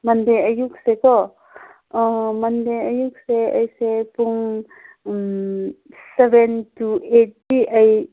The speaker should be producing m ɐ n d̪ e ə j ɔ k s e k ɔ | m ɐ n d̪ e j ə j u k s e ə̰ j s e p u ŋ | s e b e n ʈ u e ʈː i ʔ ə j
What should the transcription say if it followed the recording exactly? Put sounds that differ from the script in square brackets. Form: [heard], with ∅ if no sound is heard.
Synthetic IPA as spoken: m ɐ n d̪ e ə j [u] k s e k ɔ | m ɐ n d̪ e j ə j u k s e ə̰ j s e p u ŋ | s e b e n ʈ u e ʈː i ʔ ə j